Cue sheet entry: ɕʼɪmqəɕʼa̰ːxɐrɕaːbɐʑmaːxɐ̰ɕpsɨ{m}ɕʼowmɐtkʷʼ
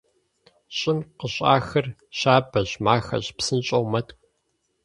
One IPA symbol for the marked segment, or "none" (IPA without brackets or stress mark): n